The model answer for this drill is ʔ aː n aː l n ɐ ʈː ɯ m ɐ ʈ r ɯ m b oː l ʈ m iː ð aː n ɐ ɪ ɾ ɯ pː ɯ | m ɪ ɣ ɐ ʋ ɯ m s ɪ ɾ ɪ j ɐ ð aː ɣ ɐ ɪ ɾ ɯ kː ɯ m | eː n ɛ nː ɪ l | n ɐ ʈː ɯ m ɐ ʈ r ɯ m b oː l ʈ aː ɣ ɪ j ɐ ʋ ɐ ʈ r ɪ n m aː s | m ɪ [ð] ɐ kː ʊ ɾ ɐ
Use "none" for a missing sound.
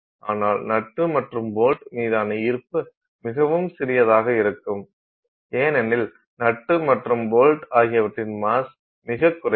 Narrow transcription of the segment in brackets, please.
ɣ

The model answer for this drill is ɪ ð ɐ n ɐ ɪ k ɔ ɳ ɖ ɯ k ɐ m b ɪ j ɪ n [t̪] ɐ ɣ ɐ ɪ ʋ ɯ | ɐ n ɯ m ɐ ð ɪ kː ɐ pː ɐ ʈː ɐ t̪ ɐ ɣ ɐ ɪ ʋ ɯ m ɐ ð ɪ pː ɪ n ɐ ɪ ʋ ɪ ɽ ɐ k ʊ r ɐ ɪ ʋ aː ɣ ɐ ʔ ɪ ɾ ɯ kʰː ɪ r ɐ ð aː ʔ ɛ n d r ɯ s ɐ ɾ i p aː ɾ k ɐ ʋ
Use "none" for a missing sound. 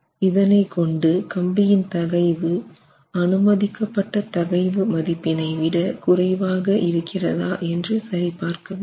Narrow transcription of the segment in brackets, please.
t̪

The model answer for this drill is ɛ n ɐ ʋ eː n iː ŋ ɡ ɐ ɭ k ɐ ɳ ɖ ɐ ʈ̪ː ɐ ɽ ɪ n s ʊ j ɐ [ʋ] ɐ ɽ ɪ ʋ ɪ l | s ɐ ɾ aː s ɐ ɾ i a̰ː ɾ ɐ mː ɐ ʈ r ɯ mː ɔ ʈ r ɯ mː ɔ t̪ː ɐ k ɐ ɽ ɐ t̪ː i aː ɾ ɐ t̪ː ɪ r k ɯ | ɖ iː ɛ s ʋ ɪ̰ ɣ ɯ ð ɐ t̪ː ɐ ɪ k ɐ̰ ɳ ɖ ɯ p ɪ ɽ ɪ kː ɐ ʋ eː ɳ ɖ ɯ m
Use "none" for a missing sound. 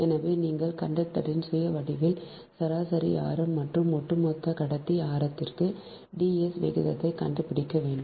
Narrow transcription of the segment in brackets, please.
ʋ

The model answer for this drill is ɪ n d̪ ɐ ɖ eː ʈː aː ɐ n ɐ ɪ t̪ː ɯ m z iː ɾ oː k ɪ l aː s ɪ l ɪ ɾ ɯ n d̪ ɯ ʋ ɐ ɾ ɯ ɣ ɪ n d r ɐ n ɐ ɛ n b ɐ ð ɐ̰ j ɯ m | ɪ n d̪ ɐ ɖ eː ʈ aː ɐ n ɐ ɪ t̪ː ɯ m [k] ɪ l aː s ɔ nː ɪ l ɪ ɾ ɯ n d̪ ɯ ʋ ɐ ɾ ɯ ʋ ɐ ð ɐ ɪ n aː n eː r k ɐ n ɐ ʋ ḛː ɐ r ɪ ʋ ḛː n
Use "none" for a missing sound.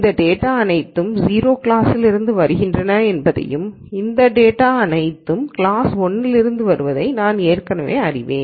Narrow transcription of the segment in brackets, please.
k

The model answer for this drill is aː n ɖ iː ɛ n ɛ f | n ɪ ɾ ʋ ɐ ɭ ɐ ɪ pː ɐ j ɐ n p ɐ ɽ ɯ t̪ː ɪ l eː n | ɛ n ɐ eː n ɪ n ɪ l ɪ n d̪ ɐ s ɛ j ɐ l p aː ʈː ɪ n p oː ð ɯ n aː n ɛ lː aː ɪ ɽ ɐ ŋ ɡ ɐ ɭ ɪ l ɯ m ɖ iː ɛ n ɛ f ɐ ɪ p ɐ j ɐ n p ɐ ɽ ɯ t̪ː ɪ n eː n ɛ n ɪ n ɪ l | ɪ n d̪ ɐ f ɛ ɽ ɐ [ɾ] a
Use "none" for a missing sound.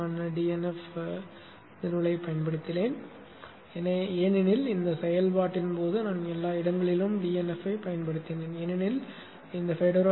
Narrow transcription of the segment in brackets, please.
ɾ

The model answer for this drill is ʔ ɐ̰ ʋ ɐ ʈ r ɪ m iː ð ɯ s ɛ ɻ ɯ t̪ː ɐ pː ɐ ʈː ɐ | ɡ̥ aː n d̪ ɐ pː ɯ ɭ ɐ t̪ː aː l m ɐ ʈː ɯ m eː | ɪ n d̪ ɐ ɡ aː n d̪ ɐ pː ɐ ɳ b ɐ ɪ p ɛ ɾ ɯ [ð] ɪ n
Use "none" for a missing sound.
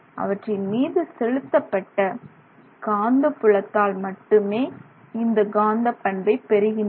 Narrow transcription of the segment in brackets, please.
ɣ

